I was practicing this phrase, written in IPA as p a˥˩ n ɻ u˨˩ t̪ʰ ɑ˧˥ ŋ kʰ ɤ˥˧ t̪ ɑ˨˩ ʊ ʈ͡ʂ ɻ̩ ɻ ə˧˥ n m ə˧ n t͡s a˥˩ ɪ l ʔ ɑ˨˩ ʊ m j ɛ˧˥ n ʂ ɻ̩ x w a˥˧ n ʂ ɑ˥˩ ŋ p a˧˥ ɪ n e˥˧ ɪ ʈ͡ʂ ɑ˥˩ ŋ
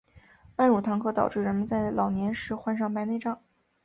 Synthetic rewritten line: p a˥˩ n ɻ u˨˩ t̪ʰ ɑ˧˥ ŋ kʰ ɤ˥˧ t̪ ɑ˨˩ ʊ ʈ͡ʂ ɻ̩ ɻ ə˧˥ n m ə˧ n t͡s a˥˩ ɪ l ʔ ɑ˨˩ ʊ n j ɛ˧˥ n ʂ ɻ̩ x w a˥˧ n ʂ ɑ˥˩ ŋ p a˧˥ ɪ n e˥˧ ɪ ʈ͡ʂ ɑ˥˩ ŋ